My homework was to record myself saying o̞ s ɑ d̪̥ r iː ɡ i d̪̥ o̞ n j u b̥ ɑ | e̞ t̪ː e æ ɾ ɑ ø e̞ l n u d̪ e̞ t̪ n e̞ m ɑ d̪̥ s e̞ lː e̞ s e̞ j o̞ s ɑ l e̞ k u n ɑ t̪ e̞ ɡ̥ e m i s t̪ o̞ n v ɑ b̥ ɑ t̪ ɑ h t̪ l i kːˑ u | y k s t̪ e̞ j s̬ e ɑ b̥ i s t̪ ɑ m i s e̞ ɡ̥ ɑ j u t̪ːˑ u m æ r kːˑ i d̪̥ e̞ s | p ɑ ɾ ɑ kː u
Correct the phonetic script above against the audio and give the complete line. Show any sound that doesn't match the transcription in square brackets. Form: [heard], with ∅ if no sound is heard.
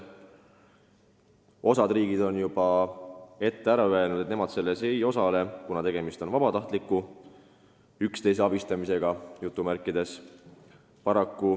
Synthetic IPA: o̞ s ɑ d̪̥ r iː ɡ i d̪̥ o̞ n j u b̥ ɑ | e̞ t̪ː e æ ɾ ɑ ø e̞ l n u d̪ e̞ t̪ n e̞ m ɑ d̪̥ s e̞ lː e̞ s e̞ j o̞ s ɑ l e̞ k u n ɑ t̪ e̞ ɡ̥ e m i s t̪ o̞ n v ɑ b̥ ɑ t̪ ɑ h t̪ l i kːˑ u | y k s t̪ e̞ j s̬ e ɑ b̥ i s t̪ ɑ m i s e̞ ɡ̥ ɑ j u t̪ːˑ u m æ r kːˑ i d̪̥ e̞ s | p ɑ ɾ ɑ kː u